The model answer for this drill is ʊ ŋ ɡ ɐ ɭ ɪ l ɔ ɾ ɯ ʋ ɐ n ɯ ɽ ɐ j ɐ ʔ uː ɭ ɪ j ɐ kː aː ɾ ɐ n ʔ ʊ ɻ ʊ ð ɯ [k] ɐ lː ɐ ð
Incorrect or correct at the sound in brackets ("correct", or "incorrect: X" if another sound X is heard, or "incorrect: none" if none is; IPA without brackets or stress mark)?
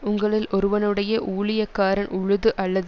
incorrect: ʔ